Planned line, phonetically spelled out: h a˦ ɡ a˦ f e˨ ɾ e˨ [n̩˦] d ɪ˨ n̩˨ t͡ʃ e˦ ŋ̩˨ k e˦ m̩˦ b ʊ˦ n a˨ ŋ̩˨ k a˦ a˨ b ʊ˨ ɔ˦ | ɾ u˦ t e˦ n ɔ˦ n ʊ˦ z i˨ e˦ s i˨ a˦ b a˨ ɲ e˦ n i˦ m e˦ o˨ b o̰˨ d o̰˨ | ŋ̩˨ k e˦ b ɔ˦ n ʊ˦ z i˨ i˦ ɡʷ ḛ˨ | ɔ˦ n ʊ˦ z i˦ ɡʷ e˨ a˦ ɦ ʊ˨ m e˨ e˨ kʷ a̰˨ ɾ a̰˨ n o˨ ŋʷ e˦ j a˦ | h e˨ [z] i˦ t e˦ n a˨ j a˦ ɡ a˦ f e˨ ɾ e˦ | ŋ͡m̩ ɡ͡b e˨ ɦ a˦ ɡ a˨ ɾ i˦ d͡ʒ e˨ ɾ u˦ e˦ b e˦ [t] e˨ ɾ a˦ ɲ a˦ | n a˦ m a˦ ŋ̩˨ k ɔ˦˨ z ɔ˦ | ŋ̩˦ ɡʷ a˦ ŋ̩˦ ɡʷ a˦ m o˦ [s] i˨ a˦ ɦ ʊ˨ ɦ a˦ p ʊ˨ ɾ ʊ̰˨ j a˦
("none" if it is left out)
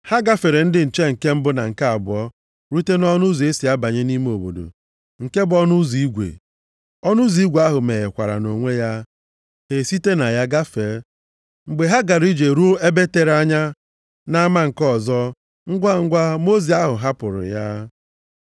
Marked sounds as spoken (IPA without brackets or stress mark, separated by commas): n̩˦, s, t, z